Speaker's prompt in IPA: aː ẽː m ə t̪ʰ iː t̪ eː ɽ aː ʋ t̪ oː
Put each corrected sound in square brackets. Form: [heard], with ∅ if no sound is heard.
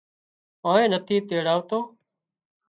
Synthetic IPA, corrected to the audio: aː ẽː [n] ə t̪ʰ iː t̪ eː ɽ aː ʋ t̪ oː